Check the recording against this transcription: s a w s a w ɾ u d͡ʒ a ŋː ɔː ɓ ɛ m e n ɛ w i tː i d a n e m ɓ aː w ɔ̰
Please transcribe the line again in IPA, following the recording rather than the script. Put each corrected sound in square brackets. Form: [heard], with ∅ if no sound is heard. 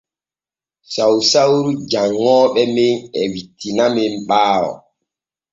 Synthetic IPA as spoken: s a w s a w ɾ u d͡ʒ a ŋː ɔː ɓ ɛ m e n ɛ w i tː i [n] a [m] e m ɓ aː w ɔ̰